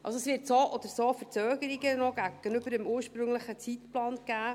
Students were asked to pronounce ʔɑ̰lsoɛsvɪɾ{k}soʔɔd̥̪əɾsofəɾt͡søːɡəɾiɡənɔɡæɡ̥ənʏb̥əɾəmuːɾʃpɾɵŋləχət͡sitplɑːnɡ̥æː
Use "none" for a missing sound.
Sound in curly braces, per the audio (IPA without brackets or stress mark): t